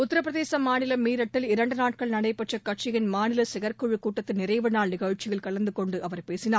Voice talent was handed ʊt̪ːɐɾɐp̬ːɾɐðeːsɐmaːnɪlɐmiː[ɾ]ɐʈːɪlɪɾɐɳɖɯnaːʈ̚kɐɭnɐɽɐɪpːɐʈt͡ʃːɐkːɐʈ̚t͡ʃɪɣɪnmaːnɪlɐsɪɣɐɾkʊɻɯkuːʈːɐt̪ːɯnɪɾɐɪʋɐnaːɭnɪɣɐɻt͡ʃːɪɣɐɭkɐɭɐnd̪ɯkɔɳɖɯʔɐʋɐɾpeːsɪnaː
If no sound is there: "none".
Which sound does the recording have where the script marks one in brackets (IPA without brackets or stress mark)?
ɾ